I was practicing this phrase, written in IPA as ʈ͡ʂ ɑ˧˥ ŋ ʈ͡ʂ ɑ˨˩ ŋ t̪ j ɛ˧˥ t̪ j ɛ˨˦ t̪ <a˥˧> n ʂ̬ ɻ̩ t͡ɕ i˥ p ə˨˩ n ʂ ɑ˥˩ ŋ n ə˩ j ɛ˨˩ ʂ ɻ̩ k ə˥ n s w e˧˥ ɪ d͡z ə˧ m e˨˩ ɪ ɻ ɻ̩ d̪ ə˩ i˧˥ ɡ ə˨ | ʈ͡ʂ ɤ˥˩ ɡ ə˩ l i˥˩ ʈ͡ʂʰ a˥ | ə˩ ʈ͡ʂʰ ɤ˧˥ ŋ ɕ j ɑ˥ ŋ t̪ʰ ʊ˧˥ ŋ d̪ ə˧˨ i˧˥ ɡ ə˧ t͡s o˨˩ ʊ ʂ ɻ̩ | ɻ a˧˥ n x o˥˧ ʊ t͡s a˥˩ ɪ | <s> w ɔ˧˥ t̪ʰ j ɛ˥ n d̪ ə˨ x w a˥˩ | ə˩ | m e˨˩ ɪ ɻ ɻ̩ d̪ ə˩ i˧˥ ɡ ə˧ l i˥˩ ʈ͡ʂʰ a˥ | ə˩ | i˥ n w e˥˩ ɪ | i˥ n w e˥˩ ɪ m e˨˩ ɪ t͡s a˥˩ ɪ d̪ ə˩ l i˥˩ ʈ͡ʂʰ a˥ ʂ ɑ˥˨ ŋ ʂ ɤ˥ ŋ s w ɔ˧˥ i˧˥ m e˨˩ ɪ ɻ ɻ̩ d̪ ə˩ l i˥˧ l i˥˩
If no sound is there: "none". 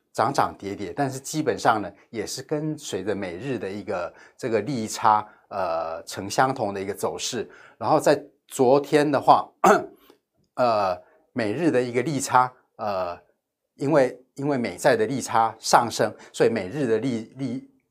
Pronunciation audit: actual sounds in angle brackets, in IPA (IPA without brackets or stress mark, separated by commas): a˥˧, t͡s